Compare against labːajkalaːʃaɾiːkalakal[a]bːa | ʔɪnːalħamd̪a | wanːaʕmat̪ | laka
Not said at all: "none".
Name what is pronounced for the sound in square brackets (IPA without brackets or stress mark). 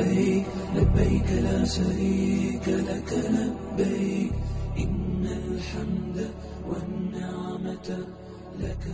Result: a